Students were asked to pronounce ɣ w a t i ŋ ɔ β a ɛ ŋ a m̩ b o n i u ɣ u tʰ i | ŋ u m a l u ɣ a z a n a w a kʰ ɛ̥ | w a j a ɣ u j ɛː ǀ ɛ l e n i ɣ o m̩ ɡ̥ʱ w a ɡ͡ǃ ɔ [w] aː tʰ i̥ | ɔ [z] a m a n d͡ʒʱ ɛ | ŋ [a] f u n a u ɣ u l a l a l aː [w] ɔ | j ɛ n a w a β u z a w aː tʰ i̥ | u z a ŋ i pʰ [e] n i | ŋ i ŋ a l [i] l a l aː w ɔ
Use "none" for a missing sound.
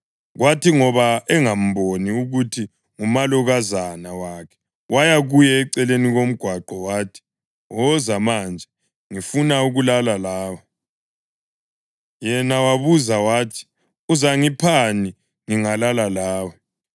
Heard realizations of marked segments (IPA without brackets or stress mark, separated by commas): w, z, i, w, a, a